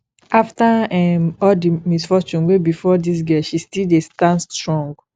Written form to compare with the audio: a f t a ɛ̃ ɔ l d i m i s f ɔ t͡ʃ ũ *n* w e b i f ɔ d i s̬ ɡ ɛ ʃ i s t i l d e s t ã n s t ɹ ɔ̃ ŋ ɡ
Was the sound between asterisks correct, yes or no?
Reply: yes